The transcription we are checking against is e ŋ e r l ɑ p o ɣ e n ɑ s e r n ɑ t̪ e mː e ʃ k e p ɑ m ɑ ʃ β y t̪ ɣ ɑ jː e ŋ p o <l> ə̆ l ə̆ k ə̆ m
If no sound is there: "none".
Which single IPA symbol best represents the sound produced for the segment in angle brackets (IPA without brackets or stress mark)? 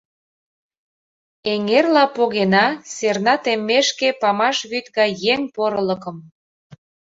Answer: ɾ